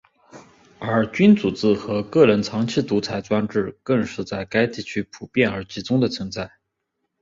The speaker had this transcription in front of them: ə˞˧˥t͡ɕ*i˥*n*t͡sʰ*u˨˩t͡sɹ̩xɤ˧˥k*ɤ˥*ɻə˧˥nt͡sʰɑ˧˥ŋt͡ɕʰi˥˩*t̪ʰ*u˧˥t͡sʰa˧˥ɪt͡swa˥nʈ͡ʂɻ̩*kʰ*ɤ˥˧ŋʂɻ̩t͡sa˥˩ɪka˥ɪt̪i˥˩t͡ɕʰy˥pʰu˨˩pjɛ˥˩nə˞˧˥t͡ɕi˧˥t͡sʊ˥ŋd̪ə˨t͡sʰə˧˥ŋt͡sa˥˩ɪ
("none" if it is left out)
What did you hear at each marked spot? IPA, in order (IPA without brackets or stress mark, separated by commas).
y˥, t͡s, ɤ˥˩, t̪, k